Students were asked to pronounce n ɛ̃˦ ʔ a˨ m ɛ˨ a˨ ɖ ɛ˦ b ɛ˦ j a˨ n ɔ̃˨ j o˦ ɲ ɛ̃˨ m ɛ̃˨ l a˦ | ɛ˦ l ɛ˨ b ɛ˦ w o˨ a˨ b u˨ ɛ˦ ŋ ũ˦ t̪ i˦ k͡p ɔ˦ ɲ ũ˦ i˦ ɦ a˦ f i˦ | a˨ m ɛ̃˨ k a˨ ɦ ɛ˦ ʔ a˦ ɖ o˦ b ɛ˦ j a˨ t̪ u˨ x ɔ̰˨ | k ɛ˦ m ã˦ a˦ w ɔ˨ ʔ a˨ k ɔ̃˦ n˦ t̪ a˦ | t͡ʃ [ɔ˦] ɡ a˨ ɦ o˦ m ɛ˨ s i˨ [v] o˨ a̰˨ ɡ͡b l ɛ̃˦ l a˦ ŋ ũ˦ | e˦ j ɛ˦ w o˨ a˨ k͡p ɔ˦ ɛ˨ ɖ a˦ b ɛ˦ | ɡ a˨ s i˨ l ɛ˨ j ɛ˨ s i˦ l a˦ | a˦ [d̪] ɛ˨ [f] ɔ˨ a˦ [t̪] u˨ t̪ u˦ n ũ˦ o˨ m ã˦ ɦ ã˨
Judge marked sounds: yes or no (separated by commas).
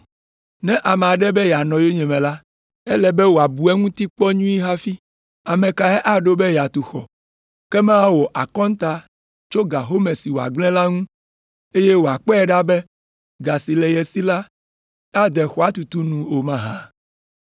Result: no, no, yes, no, yes